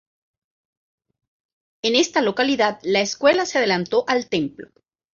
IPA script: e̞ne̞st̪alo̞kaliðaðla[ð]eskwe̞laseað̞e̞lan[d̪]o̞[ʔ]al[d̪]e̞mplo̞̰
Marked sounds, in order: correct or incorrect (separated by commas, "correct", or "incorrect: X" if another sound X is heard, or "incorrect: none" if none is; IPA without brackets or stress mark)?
incorrect: none, incorrect: t̪, correct, incorrect: t̪